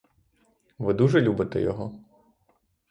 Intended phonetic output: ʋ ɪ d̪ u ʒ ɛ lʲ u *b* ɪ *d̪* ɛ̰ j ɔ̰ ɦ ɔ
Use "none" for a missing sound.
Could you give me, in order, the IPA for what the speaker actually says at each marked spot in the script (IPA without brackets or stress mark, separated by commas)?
b, t̪